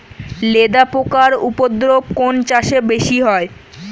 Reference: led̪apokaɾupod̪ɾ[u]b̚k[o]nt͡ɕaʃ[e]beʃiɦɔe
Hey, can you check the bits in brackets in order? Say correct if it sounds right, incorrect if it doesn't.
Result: incorrect: o, correct, correct

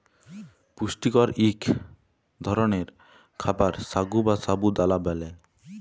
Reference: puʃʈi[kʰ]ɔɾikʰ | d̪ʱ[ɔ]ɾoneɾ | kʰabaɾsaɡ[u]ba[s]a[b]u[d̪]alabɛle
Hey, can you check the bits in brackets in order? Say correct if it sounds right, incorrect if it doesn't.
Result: incorrect: k, correct, correct, correct, correct, correct

